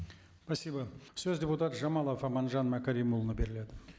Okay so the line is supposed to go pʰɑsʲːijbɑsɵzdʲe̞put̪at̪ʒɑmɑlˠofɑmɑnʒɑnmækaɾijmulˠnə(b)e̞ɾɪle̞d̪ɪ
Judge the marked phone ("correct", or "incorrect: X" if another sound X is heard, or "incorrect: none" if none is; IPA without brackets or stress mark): correct